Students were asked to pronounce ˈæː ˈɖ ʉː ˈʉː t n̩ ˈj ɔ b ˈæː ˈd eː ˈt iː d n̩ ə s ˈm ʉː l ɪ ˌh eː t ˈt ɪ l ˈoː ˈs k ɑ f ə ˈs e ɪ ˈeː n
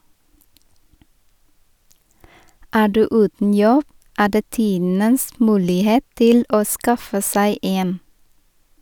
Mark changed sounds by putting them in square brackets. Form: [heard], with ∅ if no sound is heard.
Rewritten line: ˈæː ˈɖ ʉː ˈʉː t n̩ ˈj ɔ b ˈæː ˈd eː ˈt iː d n̩ ə s ˈm ʉː l ɪ ˌh eː t ˈt ɪ l ˈoː ˈs k ɑ f ə ˈs [æ] ɪ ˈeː n